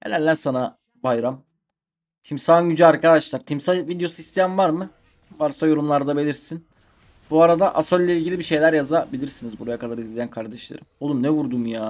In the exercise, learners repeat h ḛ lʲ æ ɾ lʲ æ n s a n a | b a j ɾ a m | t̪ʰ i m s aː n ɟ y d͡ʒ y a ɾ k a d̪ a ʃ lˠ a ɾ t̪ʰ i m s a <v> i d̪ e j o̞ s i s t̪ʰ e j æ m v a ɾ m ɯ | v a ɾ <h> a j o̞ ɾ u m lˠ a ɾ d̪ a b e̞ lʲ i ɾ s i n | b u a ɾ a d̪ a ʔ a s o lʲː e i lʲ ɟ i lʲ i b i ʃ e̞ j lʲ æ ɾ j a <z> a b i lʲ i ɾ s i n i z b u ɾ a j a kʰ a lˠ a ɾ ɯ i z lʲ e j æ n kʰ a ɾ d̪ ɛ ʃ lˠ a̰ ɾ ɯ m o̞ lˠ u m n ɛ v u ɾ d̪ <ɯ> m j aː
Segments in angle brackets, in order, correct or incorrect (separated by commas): correct, incorrect, correct, incorrect